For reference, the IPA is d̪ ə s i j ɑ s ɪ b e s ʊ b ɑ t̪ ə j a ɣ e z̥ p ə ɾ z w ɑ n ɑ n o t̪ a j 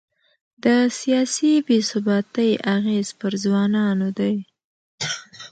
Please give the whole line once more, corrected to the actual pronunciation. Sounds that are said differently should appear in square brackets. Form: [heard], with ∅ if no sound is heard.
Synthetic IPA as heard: d̪ ə s i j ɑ s [i] b e s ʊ b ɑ t̪ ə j a ɣ e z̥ p ə ɾ z w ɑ n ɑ n o [d̪] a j